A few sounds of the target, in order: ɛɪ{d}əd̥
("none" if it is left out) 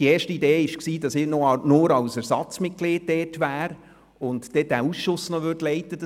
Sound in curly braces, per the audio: t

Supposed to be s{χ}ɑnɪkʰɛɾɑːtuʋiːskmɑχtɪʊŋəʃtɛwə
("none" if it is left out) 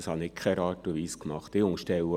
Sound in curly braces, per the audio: h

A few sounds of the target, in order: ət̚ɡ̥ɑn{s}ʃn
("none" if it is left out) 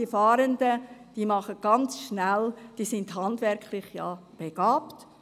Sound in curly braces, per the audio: t͡s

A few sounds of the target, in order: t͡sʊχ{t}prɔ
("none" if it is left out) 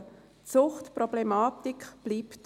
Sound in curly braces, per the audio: t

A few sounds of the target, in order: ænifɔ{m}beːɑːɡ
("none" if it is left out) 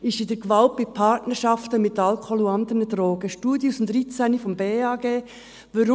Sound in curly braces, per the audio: m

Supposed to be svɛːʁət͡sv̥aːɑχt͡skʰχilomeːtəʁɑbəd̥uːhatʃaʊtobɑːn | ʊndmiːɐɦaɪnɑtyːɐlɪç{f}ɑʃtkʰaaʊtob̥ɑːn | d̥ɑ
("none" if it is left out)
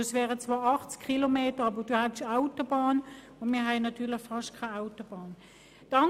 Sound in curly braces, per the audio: f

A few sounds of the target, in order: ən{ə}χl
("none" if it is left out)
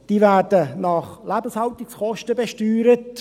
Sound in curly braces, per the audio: ɑ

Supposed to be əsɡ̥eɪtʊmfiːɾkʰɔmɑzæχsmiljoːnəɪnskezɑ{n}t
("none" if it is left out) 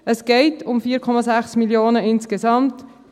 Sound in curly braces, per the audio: m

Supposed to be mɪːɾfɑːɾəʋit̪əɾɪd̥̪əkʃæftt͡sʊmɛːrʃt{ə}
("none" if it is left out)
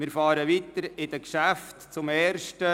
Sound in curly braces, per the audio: ə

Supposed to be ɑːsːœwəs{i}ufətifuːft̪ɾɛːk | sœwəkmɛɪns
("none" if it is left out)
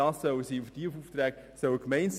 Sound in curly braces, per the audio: iː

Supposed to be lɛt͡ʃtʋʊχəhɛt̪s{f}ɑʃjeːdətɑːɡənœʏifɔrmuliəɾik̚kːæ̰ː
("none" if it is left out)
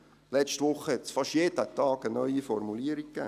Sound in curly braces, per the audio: f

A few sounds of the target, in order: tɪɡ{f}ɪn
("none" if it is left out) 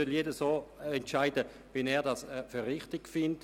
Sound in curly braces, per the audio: f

